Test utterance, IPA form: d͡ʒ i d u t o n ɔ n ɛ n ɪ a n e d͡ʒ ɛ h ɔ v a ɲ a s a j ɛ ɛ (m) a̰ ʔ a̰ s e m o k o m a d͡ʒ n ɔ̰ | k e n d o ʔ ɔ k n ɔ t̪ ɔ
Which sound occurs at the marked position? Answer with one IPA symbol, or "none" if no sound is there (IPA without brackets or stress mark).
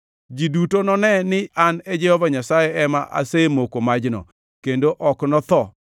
m